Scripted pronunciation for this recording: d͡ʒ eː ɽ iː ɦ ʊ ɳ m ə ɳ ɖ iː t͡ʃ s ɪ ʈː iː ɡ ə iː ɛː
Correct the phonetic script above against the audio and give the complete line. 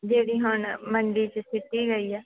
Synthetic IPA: d͡ʒ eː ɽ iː ɦ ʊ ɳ m ə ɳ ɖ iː t͡ʃ s ɪ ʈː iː ɡ ə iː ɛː